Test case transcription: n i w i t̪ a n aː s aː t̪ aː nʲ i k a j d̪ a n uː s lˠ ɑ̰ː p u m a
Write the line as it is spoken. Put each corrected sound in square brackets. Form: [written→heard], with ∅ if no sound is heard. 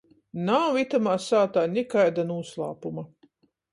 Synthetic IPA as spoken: n [i→a] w i t̪ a [n→m] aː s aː t̪ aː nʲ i k a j d̪ a n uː s lˠ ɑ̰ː p u m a